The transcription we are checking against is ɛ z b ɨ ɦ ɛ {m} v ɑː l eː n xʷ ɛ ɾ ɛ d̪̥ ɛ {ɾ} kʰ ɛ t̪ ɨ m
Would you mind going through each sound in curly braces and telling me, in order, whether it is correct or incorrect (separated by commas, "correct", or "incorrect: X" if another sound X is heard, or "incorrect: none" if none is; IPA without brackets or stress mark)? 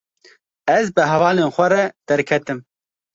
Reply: incorrect: none, correct